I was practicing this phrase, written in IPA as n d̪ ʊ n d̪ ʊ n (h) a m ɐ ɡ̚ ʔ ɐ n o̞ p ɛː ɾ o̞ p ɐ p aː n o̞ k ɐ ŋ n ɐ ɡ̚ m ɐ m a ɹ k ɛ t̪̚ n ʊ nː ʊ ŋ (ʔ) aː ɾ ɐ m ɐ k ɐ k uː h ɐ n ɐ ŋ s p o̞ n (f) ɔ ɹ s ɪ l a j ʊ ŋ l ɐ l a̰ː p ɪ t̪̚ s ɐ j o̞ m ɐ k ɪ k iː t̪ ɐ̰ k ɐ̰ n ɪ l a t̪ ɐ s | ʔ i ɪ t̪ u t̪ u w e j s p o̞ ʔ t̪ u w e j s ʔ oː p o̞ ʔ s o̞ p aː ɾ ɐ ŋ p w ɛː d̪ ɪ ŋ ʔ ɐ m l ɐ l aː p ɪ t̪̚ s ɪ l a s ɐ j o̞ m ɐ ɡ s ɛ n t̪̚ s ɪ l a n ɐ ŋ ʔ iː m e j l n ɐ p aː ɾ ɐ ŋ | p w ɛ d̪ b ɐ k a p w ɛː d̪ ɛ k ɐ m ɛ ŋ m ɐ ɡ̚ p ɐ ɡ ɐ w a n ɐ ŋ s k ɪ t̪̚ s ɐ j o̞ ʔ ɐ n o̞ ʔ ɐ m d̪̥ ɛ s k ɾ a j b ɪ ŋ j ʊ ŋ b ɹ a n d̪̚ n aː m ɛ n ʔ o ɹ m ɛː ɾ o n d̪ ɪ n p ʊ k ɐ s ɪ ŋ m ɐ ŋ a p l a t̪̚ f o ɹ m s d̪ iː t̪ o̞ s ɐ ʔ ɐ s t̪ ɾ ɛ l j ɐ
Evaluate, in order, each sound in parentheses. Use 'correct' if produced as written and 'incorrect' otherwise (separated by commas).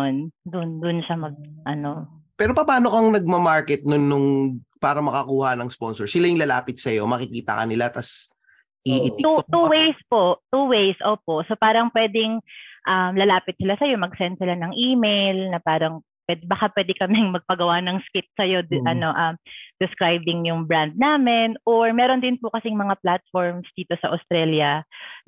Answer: incorrect, incorrect, incorrect